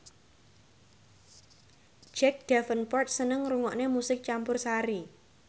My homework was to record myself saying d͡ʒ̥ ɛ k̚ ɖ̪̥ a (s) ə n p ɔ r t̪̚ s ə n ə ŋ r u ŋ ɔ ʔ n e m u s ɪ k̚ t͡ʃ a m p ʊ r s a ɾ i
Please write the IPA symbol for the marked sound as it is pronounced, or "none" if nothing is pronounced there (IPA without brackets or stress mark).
f